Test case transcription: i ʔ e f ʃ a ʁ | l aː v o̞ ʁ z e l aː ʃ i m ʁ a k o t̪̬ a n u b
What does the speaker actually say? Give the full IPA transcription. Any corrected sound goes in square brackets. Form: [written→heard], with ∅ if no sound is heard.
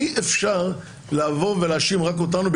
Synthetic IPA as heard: i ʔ e f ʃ a ʁ | l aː v o̞ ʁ [z→v] e l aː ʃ i m ʁ a k o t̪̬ a n u b